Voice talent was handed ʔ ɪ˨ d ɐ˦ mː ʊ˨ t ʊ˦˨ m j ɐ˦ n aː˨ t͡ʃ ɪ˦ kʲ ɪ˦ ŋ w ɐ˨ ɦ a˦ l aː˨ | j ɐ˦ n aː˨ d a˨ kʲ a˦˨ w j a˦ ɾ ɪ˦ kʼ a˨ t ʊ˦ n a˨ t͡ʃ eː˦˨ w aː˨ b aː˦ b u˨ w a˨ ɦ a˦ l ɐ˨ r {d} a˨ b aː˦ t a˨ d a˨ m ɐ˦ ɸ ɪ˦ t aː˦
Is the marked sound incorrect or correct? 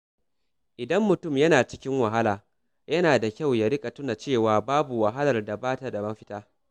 correct